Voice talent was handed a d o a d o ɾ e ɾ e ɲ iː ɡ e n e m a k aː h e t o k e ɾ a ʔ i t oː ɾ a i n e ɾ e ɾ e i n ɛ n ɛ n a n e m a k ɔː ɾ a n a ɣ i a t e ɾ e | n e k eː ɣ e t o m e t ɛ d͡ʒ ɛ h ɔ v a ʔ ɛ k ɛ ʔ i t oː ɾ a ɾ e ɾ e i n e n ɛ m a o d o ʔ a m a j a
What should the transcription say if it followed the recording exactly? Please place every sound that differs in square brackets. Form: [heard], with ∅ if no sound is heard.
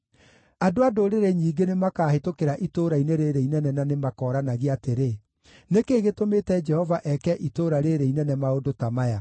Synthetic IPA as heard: a d o a d o ɾ e ɾ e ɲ iː ɡ e n e m a k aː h e t o k e ɾ a ʔ i t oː ɾ a i n e ɾ e ɾ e i n ɛ n ɛ n a n e m a k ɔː ɾ a n a ɣ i a t e ɾ e | n e k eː ɣ e t o m e t ɛ d͡ʒ ɛ h ɔ v a ʔ ɛ k ɛ ʔ i t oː ɾ a ɾ e ɾ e i n [ɛ] n ɛ m a o d o [t] a m a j a